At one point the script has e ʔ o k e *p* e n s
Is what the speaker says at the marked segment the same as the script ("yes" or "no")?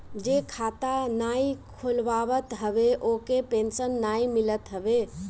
yes